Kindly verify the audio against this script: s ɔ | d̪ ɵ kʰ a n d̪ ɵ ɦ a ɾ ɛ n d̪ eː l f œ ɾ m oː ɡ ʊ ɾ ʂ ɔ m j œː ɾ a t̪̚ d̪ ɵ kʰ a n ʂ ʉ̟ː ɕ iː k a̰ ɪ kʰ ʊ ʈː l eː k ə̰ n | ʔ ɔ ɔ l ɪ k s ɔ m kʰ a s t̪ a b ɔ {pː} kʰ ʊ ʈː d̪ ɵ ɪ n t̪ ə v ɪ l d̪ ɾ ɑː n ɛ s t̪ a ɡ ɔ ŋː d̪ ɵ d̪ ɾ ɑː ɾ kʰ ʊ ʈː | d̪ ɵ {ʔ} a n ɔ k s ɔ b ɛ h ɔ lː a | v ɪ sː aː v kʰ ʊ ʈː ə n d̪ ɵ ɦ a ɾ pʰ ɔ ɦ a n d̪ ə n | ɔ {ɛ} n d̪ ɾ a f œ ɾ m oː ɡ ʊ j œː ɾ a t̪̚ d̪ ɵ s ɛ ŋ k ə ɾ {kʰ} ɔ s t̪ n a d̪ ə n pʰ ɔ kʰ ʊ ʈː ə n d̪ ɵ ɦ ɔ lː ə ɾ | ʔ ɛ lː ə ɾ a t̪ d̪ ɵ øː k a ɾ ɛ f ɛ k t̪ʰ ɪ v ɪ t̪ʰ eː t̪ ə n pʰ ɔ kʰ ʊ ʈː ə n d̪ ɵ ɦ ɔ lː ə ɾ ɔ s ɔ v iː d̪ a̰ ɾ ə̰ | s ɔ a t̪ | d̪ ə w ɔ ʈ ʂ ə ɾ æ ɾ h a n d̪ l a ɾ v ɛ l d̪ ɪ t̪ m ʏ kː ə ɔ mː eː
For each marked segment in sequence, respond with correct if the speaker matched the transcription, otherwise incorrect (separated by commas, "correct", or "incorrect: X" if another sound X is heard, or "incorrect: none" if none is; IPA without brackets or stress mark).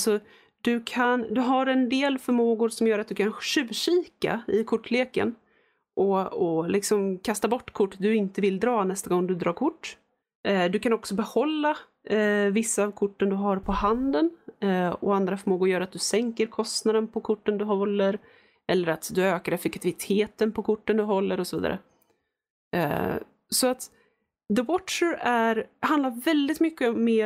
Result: incorrect: ʈː, incorrect: k, incorrect: a, correct